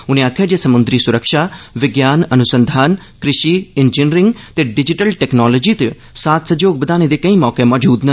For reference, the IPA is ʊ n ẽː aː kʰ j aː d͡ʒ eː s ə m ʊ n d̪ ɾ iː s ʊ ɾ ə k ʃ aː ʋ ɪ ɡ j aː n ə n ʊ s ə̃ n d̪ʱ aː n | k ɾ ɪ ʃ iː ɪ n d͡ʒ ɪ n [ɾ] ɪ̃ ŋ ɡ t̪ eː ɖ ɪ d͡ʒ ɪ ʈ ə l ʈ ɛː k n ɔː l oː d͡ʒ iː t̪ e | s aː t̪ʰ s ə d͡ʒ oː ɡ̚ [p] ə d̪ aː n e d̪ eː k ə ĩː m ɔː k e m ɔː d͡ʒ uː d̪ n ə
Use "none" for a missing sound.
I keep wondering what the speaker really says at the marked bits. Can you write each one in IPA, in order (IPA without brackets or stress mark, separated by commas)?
ɾ, b